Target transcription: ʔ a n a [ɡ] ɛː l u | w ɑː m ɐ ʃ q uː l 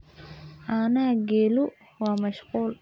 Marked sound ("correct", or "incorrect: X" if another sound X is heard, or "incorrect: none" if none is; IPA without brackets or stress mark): correct